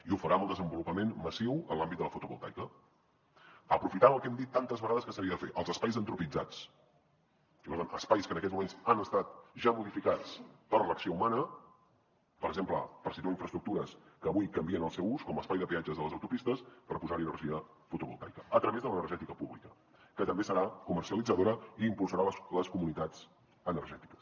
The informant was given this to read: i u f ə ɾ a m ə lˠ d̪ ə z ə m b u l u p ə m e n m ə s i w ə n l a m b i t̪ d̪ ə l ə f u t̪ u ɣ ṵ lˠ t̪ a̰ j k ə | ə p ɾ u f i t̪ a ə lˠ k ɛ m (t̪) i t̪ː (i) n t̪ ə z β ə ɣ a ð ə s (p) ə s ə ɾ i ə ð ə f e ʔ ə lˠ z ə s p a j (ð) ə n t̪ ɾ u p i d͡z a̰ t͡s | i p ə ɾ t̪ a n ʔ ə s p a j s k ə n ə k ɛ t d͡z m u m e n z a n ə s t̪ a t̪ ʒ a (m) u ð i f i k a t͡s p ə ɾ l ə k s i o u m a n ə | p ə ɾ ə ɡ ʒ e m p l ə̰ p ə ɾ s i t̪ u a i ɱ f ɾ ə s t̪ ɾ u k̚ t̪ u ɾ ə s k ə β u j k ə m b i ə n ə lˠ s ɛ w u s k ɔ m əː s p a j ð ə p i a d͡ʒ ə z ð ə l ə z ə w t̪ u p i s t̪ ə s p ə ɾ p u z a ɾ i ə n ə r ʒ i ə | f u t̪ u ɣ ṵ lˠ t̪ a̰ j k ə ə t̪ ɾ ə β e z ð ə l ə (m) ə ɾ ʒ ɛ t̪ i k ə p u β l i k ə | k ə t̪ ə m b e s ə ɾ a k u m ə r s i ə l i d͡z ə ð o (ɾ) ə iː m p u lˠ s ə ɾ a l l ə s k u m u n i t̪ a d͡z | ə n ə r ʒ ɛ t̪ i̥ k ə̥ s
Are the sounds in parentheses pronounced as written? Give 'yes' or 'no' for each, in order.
no, no, no, no, yes, no, yes

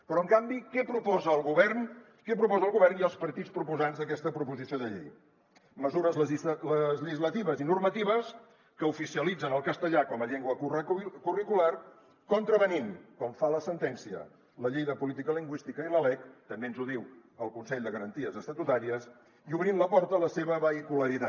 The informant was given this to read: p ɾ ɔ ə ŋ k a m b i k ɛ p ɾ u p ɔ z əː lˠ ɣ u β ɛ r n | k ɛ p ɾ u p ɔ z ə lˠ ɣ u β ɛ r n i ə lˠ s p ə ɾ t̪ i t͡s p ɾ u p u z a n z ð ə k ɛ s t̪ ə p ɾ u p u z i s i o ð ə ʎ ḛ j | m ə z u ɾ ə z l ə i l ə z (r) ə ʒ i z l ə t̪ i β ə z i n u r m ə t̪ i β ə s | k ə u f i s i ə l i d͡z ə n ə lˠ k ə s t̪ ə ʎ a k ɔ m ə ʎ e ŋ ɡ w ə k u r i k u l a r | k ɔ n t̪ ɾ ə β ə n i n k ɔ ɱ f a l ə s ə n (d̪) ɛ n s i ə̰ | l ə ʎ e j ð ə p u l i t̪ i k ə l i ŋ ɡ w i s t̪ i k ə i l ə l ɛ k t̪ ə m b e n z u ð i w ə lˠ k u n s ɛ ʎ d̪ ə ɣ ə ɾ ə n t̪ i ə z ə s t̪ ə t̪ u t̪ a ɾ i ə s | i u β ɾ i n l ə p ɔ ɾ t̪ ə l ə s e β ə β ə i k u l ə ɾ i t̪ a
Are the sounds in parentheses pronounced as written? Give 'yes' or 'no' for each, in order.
no, no

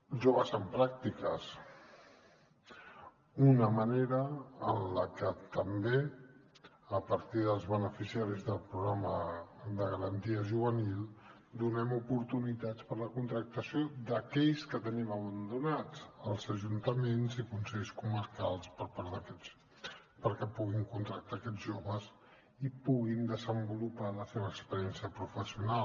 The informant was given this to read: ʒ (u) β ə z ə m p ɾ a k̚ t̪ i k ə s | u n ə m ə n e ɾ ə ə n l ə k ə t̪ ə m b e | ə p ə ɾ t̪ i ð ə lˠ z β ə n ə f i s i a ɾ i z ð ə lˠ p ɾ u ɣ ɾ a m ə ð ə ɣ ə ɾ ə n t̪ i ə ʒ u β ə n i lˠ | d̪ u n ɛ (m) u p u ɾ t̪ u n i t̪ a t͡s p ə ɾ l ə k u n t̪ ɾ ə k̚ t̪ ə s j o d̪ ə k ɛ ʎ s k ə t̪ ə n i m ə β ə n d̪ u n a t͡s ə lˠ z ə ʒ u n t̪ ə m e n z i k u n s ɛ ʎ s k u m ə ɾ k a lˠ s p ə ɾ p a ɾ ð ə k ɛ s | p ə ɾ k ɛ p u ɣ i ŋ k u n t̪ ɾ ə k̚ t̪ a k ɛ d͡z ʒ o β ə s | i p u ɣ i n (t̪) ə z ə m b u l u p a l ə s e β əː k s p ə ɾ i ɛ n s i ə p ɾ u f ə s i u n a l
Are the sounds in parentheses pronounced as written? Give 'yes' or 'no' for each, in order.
no, yes, no

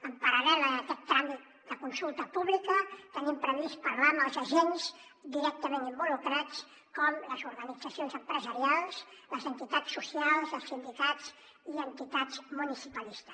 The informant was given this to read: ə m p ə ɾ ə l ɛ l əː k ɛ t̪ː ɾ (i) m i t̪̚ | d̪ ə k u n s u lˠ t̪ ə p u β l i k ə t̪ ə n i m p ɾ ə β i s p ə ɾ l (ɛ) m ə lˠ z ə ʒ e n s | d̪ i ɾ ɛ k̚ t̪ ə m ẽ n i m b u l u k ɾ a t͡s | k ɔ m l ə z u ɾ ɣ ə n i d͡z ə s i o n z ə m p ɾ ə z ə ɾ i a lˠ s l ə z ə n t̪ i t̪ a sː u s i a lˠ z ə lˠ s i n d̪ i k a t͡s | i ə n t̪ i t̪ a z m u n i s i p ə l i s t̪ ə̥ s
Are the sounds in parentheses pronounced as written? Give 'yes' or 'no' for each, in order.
no, no

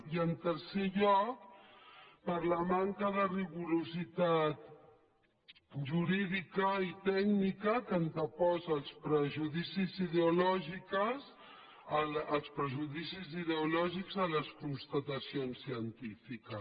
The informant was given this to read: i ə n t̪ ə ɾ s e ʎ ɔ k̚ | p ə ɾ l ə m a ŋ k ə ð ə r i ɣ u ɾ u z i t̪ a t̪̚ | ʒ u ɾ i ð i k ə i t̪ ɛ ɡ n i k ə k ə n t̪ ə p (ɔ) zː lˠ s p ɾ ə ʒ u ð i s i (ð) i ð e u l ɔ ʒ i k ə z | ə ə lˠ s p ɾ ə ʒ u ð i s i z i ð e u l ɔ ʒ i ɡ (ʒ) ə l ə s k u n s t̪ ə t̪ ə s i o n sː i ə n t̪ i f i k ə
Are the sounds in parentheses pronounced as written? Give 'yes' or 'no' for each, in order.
yes, no, no

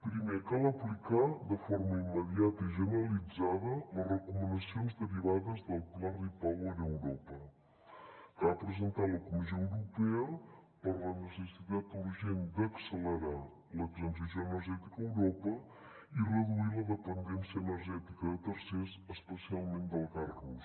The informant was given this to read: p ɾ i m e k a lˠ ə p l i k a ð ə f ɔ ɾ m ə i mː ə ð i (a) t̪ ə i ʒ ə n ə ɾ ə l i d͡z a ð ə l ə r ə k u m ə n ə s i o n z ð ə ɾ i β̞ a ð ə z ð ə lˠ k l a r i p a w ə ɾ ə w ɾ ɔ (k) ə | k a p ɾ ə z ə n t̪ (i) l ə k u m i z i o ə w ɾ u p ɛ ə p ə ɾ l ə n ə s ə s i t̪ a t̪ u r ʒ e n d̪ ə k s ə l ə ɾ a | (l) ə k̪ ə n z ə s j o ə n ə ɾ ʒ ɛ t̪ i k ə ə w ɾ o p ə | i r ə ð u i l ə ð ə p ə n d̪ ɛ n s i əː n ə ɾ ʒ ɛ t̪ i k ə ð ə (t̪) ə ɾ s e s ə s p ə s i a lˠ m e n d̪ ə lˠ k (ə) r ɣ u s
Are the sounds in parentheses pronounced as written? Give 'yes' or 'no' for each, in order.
yes, no, no, yes, yes, no

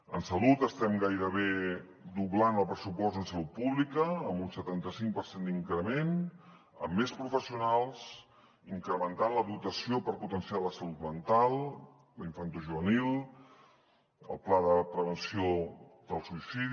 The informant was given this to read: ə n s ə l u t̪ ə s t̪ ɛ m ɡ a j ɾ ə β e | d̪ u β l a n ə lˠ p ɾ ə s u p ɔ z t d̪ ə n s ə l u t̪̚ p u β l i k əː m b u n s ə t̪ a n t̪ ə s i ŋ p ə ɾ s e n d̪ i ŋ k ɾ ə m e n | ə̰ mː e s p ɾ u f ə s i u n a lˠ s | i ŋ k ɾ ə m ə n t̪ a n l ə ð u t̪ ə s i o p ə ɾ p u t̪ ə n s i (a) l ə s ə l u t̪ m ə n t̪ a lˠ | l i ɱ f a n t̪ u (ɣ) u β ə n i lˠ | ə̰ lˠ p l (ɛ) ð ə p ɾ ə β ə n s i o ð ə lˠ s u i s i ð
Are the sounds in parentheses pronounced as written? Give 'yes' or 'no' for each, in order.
yes, no, no

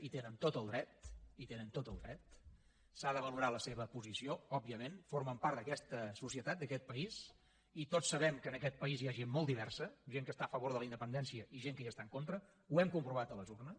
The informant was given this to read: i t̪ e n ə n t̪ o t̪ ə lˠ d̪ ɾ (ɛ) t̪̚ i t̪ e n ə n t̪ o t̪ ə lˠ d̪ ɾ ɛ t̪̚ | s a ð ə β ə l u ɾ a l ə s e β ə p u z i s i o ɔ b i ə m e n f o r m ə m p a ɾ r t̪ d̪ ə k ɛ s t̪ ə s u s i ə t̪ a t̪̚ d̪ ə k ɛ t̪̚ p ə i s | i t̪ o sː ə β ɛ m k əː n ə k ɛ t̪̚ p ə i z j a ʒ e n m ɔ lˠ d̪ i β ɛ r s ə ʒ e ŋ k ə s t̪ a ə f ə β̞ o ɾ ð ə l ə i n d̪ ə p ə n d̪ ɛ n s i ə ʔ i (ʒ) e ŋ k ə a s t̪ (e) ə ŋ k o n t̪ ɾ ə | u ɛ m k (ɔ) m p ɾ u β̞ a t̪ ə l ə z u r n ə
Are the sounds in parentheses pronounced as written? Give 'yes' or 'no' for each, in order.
yes, yes, no, no

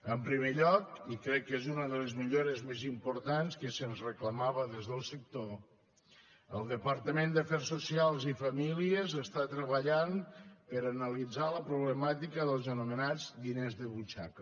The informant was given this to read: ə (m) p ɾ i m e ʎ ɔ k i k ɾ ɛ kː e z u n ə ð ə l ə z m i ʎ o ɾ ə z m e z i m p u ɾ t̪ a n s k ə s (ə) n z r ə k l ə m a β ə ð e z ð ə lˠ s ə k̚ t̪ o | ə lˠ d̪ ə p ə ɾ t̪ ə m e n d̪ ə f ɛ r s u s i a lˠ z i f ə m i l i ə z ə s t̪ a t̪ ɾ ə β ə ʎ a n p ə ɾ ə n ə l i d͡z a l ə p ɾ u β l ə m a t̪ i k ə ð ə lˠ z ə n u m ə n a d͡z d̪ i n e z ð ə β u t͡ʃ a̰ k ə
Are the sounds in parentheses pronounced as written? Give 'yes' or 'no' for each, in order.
yes, yes

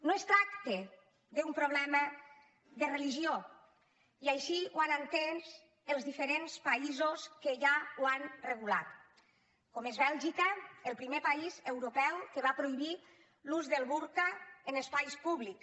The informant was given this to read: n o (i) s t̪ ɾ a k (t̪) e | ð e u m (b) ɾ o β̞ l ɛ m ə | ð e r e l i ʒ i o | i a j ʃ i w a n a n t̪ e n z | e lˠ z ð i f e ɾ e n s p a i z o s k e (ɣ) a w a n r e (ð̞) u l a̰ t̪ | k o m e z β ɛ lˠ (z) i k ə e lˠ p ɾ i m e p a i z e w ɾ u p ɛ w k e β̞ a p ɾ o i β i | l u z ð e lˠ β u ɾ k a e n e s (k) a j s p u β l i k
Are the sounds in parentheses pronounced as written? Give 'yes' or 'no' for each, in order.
no, yes, no, no, no, no, no

